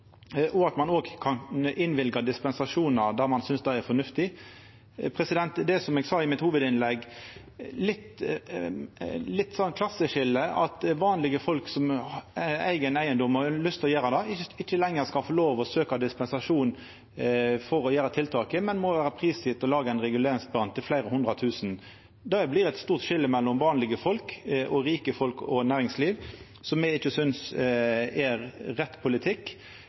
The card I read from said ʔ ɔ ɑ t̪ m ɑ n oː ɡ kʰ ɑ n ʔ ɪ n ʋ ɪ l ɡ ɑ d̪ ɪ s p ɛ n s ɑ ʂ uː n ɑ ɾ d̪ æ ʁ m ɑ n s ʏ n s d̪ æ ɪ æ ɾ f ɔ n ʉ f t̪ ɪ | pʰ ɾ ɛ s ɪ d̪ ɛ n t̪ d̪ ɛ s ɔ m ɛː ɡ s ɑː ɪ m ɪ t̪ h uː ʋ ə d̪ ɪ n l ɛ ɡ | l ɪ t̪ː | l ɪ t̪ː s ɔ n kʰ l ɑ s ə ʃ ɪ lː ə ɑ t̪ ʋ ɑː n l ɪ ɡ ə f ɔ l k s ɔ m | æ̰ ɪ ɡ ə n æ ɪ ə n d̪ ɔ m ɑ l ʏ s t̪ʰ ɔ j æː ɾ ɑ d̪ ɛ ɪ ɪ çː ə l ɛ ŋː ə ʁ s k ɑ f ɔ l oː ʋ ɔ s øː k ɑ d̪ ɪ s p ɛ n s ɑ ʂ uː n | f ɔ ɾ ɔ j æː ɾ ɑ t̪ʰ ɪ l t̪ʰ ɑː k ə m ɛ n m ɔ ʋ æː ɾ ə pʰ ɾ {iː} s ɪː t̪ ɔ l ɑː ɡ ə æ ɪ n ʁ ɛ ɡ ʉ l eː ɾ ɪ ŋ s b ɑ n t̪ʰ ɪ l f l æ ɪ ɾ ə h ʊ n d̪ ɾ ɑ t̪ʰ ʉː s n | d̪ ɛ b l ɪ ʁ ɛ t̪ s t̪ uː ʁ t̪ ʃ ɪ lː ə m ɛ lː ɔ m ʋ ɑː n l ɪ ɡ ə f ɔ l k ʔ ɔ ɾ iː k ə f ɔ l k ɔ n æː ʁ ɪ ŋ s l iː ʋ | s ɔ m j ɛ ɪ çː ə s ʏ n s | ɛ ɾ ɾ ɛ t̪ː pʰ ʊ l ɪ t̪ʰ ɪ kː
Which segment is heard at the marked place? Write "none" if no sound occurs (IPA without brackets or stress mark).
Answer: iː